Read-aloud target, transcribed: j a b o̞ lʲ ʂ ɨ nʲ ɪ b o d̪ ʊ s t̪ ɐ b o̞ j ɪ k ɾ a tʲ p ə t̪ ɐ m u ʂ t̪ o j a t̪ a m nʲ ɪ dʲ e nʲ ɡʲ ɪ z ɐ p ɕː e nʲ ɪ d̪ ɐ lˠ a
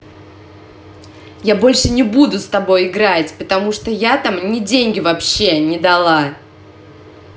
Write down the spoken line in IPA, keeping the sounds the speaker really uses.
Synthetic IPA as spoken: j a b o̞ lʲ ʂ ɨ nʲ ɪ b u d̪ ʊ s t̪ ɐ b o̞ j ɪ ɡ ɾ a tʲ p ə t̪ ɐ m u ʂ t̪ o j a t̪ a m nʲ ɪ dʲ e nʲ ɡʲ ɪ v ɐ p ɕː e nʲ ɪ d̪ ɐ lˠ a